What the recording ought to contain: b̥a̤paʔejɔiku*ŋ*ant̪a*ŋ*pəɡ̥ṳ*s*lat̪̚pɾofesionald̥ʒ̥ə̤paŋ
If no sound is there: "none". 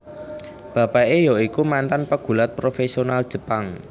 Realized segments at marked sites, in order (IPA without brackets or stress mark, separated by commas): m, n, none